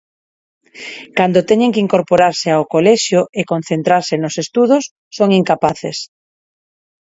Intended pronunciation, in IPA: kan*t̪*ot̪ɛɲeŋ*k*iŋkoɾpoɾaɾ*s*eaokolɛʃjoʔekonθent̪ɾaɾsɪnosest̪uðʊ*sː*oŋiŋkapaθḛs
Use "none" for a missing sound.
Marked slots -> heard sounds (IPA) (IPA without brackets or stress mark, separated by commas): d̪, k, s, sː